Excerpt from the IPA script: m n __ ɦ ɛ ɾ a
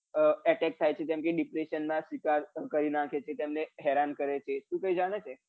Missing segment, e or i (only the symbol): e